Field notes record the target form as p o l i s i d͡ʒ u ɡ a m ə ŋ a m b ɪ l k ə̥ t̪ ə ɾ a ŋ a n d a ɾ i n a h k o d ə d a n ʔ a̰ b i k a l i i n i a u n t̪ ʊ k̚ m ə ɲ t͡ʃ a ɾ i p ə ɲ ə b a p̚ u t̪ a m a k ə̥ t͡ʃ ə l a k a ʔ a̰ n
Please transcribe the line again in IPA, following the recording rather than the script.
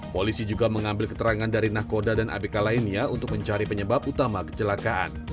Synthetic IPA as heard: p o l i s i d͡ʒ u ɡ a m ə ŋ a m b ɪ l k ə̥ t̪ ə ɾ a ŋ a n d a ɾ i n a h k o d a d a n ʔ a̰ b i k a l a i n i a u n t̪ ʊ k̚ m ə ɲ t͡ʃ a ɾ i p ə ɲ ə b a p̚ u t̪ a m a k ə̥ t͡ʃ ə l a k a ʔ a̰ n